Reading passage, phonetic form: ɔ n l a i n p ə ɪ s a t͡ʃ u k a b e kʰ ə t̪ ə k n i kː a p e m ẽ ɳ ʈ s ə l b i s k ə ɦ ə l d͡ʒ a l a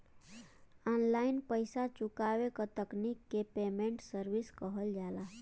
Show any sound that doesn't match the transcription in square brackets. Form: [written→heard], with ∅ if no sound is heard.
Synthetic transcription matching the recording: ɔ n l a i n p ə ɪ s a t͡ʃ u k a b e [kʰ→k] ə t̪ ə k n i kː [a→e] p e m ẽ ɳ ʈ s ə [l→ɾ] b i s k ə ɦ ə l d͡ʒ a l a